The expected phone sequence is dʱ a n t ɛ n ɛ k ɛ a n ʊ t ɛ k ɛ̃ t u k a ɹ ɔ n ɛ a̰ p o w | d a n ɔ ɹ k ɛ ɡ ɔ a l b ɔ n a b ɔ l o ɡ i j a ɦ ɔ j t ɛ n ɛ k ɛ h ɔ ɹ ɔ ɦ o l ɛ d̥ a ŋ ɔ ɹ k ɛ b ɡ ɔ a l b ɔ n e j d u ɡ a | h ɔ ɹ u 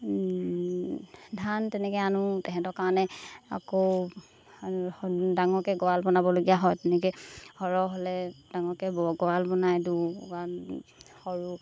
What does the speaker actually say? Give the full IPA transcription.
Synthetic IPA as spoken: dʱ a n t ɛ n ɛ k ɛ a n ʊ t ɛ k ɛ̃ t ɔ k a ɹ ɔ n ɛ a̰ k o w | d a ŋ ɔ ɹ k ɛ ɡ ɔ a l b ɔ n a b ɔ l o ɡ i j a ɦ ɔ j t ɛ n ɛ k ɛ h ɔ ɹ ɔ ɦ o l ɛ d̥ a ŋ ɔ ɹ k ɛ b ɡ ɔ a l b ɔ n a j d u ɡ a | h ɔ ɹ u